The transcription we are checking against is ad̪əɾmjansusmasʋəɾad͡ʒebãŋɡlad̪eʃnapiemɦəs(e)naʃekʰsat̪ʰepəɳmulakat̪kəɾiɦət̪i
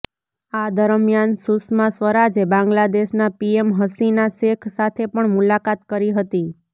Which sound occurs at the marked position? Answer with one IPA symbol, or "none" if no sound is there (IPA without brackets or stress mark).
i